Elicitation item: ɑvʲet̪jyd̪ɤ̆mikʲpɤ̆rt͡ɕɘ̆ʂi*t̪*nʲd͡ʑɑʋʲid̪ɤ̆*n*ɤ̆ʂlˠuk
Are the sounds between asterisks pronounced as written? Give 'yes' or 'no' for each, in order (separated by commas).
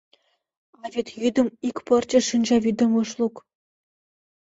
no, no